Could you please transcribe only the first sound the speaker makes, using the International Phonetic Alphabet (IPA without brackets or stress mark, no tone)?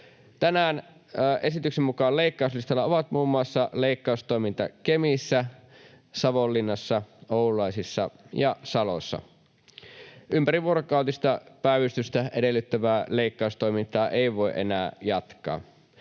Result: t̪